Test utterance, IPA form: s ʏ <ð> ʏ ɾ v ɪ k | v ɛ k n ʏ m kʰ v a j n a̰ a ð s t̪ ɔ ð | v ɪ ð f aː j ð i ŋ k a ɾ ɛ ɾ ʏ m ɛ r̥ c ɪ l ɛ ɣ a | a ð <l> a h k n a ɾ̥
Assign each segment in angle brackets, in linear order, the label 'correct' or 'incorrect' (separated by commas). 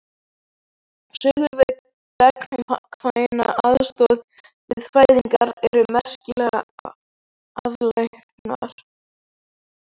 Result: incorrect, correct